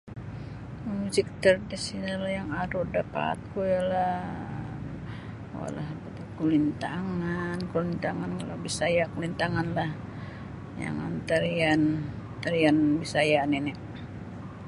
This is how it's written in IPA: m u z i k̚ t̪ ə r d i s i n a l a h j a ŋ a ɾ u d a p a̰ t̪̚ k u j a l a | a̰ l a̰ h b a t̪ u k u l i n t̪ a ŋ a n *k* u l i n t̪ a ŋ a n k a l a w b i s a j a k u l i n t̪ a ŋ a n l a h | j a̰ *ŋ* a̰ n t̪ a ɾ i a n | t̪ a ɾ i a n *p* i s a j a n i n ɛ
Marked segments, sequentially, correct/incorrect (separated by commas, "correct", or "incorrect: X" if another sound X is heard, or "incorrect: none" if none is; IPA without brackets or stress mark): correct, correct, incorrect: b